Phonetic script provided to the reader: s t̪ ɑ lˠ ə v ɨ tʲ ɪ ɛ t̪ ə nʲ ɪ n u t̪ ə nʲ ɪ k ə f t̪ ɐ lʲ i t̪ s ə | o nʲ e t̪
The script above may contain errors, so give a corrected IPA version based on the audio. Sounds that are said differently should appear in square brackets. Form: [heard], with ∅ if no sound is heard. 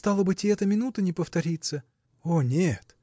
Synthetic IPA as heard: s t̪ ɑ lˠ ə [b] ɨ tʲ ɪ ɛ t̪ ə [mʲ] ɪ n u t̪ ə nʲ ɪ [p] ə f t̪ ɐ [ɾʲ] i t̪ s ə | o nʲ e t̪